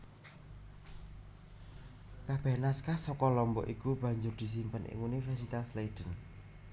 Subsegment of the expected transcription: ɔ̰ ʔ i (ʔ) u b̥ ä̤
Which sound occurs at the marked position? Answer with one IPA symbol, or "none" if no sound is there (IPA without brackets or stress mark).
k